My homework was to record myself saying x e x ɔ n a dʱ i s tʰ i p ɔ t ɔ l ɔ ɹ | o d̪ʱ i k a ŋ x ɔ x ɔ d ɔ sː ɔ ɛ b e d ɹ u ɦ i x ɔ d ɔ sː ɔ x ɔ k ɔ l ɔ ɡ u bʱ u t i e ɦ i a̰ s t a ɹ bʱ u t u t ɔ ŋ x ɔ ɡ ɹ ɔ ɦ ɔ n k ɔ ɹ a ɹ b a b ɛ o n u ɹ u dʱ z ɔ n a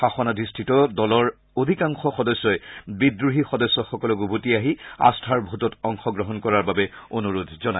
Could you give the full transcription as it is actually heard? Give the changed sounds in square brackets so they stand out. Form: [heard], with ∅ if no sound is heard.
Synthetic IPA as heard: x [a] x ɔ n a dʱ i s tʰ i [t] ɔ [d] ɔ l ɔ ɹ | o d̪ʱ i k a ŋ x ɔ x ɔ d ɔ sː ɔ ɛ b [i] d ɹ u ɦ i x ɔ d ɔ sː ɔ x ɔ k ɔ l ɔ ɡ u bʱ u t i [a] ɦ i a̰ s [tʰ] a ɹ bʱ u t [ɔ] t ɔ ŋ x ɔ ɡ ɹ ɔ ɦ ɔ n k ɔ ɹ a ɹ b a b ɛ o n u ɹ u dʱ z ɔ n a